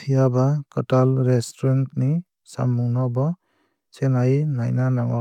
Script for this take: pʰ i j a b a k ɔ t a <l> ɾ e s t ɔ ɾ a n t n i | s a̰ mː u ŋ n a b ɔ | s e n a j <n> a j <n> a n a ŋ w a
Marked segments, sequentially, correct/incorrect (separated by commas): correct, correct, correct